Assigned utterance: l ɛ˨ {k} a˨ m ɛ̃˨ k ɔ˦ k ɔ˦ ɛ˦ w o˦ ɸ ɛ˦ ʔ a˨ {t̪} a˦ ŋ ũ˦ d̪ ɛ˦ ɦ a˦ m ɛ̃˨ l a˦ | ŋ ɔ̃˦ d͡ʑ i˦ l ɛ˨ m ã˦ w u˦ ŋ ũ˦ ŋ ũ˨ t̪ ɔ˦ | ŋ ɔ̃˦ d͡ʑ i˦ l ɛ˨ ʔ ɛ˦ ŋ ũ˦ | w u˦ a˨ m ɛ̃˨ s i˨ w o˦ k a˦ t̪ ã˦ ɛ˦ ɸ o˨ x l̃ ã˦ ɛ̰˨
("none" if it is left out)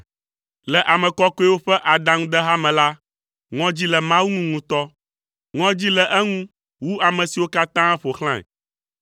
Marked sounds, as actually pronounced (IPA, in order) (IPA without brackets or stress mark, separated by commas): ʔ, d̪